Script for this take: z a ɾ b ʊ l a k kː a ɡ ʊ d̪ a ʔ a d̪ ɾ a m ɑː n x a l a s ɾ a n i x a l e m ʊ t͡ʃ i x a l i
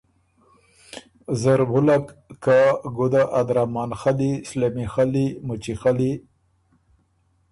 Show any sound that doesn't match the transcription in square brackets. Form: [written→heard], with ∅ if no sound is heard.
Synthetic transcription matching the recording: z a ɾ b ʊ l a k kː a ɡ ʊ d̪ a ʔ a d̪ ɾ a m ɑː n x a l [a→i] s [ɾ→l] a [n→m] i x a l [e→i] m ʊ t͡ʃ i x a l i